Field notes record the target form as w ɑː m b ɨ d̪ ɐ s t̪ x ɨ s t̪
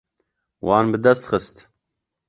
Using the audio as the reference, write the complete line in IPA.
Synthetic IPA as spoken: w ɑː n b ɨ d̪ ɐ s t̪ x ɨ s t̪